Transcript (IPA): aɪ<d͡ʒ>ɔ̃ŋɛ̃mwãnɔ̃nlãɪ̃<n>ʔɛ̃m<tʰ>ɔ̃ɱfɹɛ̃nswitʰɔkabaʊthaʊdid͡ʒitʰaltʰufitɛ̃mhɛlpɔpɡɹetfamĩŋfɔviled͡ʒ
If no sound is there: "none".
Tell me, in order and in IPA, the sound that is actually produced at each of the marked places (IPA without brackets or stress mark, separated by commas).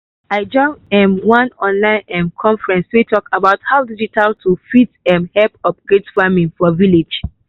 d͡ʒ, n, kʰ